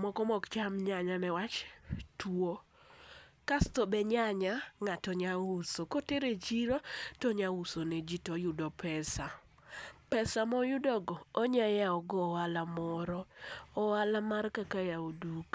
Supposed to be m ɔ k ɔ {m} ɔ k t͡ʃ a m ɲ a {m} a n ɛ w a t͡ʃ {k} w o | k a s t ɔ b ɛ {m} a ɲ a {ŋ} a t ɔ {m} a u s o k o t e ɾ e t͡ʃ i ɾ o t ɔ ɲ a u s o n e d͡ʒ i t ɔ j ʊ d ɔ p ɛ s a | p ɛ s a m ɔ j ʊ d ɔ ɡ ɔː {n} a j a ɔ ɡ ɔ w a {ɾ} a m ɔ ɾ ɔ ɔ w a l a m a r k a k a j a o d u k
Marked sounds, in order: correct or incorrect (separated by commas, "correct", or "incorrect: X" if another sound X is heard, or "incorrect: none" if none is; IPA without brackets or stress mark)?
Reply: correct, incorrect: ɲ, incorrect: t, incorrect: ɲ, correct, incorrect: ɲ, incorrect: ɲ, incorrect: l